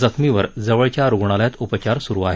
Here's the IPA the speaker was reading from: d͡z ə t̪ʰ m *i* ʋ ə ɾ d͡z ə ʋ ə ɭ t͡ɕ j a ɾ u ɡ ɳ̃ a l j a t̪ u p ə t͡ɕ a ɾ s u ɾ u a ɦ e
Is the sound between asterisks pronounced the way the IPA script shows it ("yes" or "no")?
yes